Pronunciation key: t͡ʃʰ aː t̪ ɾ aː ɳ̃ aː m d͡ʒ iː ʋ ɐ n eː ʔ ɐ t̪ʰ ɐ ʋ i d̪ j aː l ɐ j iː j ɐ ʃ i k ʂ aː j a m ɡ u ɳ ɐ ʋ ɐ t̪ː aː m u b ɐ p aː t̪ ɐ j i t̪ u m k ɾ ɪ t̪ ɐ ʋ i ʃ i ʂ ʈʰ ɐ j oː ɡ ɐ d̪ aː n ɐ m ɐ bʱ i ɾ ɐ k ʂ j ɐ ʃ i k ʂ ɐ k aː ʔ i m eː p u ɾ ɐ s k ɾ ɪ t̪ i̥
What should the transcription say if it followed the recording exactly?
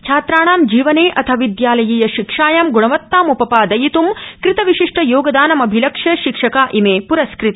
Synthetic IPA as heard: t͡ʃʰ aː t̪ ɾ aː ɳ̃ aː m d͡ʒ iː ʋ ɐ n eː ʔ ɐ t̪ʰ ɐ ʋ i d̪ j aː l ɐ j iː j ɐ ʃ i k ʂ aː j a m ɡ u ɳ ɐ ʋ ɐ t̪ː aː m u p ɐ p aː d̪ ɐ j i t̪ u m k ɾ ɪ t̪ ɐ ʋ i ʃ i ʂ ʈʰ ɐ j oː ɡ ɐ d̪ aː n ɐ m ɐ bʱ i l ɐ k ʂ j ɐ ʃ i k ʂ ɐ k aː ʔ i m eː p u ɾ ɐ s k ɾ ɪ t̪ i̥